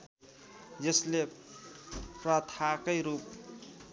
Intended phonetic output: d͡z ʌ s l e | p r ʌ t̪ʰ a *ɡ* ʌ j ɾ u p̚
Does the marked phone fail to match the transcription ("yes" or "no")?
yes